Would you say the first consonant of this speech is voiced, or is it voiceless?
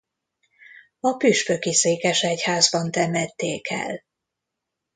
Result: voiceless